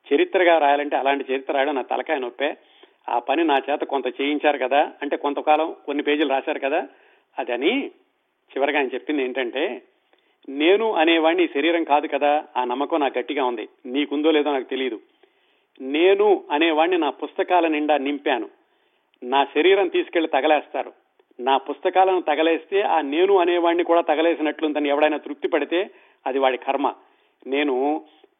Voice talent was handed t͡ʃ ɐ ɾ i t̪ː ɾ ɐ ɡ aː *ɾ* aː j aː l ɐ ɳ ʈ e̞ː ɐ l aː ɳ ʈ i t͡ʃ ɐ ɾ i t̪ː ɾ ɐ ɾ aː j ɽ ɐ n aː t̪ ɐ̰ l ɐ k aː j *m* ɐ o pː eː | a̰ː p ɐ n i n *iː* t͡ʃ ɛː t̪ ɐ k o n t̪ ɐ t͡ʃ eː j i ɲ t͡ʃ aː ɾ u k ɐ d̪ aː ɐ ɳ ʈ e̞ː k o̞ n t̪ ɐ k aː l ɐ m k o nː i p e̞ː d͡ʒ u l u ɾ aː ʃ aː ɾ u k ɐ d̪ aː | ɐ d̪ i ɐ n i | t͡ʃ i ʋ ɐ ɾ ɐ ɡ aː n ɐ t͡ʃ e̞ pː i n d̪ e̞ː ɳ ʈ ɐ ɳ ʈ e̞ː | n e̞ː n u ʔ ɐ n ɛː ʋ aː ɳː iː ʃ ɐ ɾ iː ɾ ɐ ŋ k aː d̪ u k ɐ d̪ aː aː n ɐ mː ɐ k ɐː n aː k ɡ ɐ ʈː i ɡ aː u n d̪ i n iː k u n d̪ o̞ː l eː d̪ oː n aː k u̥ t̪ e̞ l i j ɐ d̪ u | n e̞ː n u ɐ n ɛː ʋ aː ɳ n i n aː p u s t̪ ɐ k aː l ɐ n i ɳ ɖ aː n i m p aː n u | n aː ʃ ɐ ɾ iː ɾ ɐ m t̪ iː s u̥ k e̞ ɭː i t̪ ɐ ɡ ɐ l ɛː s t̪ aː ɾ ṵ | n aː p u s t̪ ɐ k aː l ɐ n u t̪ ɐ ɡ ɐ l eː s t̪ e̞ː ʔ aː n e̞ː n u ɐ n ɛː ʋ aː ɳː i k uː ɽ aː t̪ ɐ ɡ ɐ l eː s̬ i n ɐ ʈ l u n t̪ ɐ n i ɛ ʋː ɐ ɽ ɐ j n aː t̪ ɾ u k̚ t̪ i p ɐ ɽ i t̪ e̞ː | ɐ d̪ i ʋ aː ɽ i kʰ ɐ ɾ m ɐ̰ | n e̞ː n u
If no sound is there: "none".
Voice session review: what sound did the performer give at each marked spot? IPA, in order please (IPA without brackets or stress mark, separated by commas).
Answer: ɾ, n, aː